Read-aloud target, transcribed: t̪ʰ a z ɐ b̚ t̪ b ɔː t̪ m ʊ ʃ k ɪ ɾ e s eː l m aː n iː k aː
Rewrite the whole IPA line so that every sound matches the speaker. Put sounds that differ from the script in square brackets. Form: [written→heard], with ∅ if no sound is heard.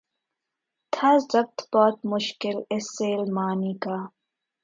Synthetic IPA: t̪ʰ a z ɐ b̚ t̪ b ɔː t̪ m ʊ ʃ k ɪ [ɾ→l] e s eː l m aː n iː k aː